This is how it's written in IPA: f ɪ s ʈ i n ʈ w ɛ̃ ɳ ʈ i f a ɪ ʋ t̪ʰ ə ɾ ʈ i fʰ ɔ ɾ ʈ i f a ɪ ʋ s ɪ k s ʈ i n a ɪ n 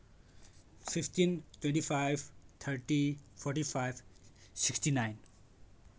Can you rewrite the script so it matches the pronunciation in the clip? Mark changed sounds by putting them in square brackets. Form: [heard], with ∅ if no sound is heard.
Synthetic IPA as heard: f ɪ [f] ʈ i n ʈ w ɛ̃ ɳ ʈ i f a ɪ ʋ t̪ʰ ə ɾ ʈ i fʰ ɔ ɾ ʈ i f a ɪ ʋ s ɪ k s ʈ i n a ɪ n